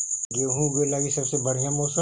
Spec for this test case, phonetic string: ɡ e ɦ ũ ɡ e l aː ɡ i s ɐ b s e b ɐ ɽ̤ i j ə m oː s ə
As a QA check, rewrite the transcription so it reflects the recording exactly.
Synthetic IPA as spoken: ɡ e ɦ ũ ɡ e l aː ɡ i s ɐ b s e b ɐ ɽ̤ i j a m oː s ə